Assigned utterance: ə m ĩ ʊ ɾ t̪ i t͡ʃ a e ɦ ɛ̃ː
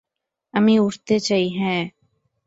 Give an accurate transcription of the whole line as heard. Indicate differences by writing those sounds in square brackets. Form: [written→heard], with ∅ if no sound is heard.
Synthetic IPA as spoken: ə m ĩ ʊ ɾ t̪ [i→e] t͡ʃ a [e→i] ɦ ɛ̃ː